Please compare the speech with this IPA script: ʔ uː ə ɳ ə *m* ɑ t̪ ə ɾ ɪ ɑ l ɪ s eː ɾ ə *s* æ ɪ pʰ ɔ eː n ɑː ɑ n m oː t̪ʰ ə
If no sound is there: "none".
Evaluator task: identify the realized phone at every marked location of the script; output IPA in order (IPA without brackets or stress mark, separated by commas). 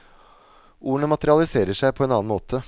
m, ʂ